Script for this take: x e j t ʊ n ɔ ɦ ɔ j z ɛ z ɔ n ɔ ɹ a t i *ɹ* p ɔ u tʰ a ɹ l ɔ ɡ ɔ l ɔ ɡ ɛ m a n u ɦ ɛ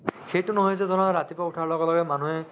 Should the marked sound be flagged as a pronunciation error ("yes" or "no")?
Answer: yes